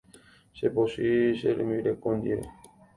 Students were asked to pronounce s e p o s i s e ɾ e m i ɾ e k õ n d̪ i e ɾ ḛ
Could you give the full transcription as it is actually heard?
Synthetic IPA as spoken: s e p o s i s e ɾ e m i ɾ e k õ n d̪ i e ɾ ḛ